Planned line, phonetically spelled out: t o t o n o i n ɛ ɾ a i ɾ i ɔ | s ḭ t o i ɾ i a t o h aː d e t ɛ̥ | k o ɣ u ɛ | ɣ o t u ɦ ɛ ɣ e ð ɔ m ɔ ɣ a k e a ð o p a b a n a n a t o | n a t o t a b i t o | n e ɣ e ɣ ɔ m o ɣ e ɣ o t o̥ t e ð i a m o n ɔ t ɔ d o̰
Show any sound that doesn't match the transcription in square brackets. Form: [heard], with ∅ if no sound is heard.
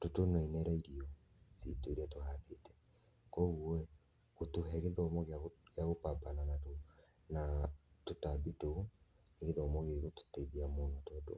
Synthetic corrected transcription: t o t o n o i n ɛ ɾ a i ɾ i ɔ | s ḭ t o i ɾ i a t o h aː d e t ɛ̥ | k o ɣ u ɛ | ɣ o t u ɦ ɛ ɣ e ð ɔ m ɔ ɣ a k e a [ɣ] o p a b a n a n a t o | n a t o t a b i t o | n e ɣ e [ð] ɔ m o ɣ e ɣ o t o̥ t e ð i a m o n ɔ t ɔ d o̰